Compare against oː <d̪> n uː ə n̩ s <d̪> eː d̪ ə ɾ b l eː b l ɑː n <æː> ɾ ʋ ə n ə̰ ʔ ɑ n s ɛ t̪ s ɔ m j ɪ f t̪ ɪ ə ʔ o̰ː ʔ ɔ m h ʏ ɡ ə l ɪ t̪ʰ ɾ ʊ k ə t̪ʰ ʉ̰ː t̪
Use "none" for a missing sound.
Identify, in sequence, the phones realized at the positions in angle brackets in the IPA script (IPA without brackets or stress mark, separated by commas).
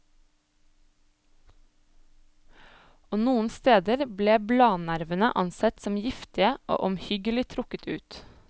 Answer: none, t̪, æ